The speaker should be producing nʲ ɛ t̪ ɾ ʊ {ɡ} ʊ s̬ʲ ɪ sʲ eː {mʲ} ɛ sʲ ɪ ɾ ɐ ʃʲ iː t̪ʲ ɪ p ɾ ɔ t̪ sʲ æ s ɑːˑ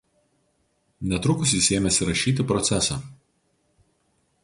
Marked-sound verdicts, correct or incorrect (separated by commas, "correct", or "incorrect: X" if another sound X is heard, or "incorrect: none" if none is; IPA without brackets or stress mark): incorrect: k, correct